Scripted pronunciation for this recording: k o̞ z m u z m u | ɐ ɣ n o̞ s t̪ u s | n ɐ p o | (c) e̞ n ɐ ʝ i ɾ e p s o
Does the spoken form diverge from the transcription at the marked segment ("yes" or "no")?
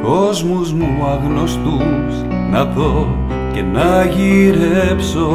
no